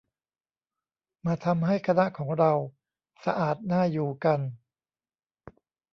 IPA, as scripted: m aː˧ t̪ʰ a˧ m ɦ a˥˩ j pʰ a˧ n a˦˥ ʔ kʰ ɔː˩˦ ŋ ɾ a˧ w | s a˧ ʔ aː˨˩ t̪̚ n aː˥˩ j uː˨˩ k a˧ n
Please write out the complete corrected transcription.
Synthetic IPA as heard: m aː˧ t̪ʰ a˧ m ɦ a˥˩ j kʰ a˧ n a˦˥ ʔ kʰ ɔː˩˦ ŋ ɾ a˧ w | s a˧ ʔ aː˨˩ t̪̚ n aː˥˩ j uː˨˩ k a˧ n